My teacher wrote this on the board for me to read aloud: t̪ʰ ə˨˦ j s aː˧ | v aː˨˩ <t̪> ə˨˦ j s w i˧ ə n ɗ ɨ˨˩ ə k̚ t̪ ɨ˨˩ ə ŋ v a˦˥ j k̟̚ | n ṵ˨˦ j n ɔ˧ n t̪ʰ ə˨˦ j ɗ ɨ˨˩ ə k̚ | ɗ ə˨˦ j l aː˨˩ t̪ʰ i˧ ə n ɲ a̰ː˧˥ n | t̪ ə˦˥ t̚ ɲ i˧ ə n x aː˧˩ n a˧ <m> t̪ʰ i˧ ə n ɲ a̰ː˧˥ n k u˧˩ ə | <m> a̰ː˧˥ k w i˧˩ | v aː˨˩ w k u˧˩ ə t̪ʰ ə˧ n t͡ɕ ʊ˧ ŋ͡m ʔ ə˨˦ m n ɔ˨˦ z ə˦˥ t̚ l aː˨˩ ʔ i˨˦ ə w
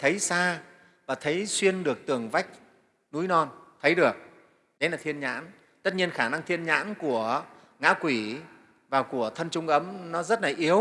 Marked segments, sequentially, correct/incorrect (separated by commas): incorrect, incorrect, incorrect